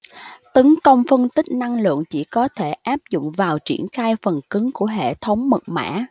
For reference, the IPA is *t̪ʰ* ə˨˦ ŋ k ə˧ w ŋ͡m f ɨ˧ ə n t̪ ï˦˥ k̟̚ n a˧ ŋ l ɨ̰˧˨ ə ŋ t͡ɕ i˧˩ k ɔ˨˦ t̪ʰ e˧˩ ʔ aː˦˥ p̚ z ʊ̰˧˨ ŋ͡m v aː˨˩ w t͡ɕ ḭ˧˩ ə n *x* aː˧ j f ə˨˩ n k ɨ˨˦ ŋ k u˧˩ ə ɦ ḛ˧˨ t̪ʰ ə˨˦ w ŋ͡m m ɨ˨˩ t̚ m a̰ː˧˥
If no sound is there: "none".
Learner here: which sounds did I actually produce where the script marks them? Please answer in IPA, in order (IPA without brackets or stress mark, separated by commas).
t̪, x